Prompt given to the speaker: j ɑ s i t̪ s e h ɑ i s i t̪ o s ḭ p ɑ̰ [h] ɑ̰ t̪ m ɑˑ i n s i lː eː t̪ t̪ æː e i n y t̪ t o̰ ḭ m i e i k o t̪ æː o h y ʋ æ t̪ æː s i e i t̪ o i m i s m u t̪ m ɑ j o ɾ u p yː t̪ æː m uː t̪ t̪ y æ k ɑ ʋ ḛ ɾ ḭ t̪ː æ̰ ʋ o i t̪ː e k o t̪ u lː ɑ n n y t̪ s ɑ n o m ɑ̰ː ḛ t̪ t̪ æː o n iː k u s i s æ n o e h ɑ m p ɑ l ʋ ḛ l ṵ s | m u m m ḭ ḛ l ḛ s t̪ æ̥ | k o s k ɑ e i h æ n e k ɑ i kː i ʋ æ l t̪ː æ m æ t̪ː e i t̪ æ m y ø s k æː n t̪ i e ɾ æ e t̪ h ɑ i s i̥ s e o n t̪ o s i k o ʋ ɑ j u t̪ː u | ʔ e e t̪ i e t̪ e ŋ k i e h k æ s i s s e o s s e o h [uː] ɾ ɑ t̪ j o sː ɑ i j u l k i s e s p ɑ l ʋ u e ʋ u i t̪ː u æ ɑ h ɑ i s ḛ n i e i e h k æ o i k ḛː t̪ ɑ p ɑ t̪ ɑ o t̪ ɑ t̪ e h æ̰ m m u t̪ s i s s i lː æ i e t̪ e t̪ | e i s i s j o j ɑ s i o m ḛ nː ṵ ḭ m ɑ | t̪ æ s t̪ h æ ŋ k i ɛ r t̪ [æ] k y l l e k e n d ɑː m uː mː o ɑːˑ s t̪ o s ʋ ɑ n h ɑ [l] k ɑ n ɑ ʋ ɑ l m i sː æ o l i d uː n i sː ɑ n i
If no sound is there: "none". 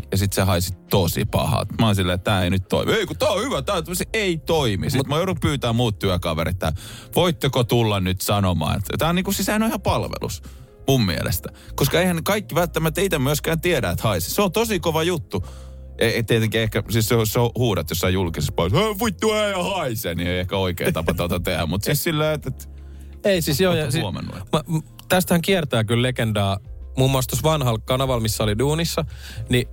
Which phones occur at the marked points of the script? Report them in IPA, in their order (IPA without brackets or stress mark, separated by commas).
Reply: h, uː, æː, l